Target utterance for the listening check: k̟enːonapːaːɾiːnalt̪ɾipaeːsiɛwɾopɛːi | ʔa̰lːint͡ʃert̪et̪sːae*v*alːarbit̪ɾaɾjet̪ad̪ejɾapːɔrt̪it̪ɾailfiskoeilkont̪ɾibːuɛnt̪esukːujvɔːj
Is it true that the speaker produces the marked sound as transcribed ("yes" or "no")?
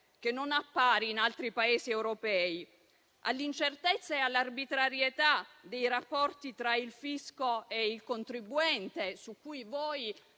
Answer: no